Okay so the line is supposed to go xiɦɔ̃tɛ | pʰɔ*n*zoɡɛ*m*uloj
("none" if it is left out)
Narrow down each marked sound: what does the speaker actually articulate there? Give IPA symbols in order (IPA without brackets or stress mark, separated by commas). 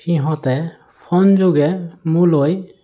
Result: n, m